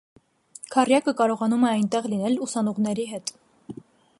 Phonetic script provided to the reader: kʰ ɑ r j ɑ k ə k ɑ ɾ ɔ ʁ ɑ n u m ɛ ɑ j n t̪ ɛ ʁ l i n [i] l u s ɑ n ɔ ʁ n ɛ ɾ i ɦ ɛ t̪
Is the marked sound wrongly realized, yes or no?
yes